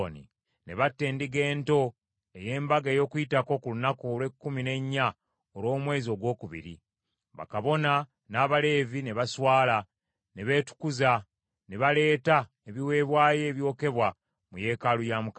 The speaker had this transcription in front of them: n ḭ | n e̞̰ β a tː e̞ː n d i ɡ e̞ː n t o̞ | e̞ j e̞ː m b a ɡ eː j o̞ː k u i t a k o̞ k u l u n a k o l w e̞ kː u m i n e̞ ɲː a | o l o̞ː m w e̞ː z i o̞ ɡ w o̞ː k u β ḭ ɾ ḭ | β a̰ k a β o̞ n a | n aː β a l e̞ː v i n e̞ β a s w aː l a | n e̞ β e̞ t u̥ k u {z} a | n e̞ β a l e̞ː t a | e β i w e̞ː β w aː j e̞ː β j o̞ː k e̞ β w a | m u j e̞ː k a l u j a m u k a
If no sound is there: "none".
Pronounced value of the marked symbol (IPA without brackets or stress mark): z